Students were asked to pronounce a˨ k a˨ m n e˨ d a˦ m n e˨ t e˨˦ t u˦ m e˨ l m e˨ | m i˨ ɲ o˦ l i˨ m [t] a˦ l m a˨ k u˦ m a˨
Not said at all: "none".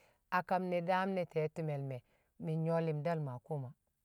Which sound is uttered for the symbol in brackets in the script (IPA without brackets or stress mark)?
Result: d